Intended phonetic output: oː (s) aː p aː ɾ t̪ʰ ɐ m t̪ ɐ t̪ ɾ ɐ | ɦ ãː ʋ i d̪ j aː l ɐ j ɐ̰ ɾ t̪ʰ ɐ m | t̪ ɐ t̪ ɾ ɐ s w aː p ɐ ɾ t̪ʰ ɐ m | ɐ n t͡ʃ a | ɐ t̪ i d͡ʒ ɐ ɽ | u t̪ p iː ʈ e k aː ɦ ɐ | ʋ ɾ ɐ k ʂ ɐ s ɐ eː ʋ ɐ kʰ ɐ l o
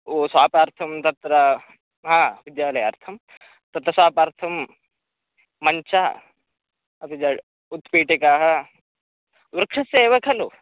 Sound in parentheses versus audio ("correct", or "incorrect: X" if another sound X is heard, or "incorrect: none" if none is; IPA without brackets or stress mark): correct